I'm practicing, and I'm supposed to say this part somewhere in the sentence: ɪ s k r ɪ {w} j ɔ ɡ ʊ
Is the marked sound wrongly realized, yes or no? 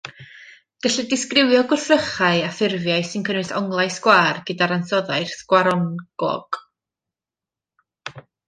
no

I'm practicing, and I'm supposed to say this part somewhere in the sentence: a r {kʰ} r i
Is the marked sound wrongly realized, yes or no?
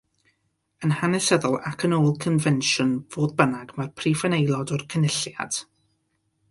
yes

